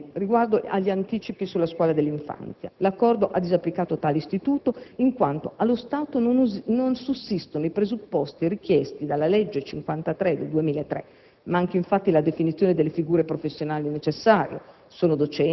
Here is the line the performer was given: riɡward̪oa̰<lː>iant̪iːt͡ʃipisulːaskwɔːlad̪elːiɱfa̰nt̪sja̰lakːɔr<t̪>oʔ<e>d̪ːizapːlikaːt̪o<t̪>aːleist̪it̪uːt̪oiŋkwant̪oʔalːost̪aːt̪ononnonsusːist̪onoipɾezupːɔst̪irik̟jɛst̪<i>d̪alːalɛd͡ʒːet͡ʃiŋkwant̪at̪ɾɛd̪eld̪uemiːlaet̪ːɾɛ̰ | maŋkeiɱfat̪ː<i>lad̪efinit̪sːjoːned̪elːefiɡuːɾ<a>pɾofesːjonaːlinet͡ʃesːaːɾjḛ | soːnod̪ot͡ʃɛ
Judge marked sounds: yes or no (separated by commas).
no, no, no, yes, yes, yes, no